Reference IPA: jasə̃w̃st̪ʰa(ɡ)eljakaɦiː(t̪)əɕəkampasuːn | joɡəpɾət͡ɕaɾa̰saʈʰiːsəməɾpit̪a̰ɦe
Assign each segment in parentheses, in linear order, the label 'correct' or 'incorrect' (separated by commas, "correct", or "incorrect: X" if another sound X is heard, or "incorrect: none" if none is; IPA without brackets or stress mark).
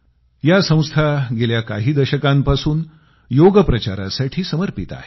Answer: correct, incorrect: d̪